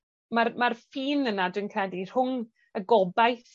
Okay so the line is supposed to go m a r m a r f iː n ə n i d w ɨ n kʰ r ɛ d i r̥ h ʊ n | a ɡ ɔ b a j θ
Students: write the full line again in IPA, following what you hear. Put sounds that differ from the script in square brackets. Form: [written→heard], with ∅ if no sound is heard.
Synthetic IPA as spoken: m a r m a r f iː n ə n [i→a] d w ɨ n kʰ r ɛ d i r̥ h ʊ [n→ŋ] | [a→ə] ɡ ɔ b a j θ

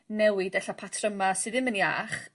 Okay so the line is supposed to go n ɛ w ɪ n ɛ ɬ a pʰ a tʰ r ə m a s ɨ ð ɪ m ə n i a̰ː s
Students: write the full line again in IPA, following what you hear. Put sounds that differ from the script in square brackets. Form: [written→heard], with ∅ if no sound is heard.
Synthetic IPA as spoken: n ɛ w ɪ [n→d] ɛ ɬ a pʰ a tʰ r ə m a s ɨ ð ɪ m ə n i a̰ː [s→χ]

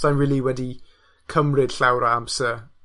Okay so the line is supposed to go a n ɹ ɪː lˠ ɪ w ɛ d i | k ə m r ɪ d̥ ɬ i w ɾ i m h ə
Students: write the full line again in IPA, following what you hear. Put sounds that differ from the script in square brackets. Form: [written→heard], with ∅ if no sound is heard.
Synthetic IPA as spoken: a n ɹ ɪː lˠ [ɪ→i] w ɛ d i | [k→kʰ] ə m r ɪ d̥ ɬ [i→a] w ɾ [i→a] m [h→s] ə

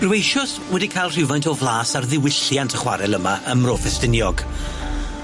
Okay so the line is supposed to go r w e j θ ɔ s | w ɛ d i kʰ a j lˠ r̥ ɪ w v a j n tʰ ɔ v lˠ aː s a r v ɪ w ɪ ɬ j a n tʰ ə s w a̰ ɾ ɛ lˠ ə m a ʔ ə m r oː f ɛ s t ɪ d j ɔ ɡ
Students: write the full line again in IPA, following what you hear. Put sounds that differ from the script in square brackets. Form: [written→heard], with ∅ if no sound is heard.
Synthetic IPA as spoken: r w e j [θ→ʃ] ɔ s | w ɛ d i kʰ a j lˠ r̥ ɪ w v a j n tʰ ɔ v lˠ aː s a r [v→ð] ɪ w ɪ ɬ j a n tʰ ə [s→χ] w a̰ ɾ ɛ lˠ ə m a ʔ ə m r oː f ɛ s t ɪ [d→n] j ɔ ɡ

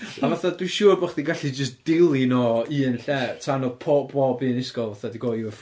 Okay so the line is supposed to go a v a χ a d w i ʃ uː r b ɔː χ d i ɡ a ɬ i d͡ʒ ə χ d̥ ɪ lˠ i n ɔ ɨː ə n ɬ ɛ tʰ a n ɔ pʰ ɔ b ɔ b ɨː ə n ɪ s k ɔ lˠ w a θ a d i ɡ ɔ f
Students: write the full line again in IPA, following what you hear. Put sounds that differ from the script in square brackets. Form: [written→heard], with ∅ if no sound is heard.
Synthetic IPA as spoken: a v a [χ→θ] a d w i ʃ uː r b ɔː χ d i ɡ a ɬ i d͡ʒ ə [χ→s] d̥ ɪ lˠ i n ɔ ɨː ə n ɬ ɛ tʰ a n ɔ pʰ ɔ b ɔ b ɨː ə n ɪ s k ɔ lˠ [w→v] a θ a d i ɡ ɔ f

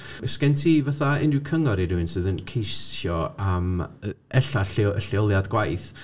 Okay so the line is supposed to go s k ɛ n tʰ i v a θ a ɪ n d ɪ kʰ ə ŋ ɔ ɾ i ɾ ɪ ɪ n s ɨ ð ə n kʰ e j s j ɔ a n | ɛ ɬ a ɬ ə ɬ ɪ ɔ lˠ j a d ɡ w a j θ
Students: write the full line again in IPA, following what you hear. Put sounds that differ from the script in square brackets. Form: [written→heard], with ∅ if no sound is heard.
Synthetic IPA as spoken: s k ɛ n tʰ i v a θ a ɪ n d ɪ kʰ ə ŋ ɔ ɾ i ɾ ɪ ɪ n s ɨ ð ə n kʰ e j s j ɔ a [n→m] | ɛ ɬ a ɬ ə ɬ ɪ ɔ lˠ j a d ɡ w a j θ

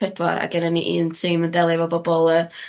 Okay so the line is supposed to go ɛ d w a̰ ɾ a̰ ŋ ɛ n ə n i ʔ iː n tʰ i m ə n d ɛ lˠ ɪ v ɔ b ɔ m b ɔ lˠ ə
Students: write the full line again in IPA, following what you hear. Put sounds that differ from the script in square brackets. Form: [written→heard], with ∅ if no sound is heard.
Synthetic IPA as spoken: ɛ d w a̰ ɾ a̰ [ŋ→ɡ] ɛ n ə n i ʔ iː n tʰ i m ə n d ɛ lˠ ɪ v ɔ b ɔ [m→∅] b ɔ lˠ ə

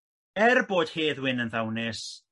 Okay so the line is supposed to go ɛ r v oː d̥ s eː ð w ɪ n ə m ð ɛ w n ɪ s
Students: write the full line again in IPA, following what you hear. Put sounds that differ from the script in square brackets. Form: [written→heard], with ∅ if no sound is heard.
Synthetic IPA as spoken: ɛ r [v→b] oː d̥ [s→h] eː ð w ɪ n ə [m→n] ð [ɛ→a] w n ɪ s

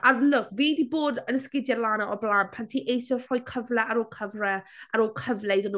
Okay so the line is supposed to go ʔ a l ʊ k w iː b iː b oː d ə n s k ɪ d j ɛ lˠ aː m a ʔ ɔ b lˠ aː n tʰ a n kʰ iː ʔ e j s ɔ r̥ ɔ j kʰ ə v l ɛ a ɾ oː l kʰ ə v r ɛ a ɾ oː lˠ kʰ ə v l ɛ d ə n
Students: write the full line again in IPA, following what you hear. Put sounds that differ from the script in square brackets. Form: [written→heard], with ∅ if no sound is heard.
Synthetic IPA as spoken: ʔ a l ʊ k [w→v] iː [b→d] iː b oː d ə n s k ɪ d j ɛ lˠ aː [m→n] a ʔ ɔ b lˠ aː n [tʰ→pʰ] a n [kʰ→tʰ] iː ʔ e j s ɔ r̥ ɔ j kʰ ə v l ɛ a ɾ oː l kʰ ə v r ɛ a ɾ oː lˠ kʰ ə v l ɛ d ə n

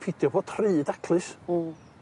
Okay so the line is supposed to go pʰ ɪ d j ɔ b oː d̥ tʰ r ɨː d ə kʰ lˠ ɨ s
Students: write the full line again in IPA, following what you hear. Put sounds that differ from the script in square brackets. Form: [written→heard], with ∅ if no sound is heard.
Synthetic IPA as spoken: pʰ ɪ d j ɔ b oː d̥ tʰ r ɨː d [ə→a] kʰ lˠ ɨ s

